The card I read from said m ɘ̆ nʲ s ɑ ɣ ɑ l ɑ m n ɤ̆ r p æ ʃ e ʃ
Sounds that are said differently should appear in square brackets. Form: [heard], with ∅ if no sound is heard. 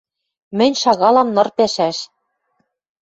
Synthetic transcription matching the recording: m ɘ̆ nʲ [ʃ] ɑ ɣ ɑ l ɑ m n ɤ̆ r p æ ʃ [æ] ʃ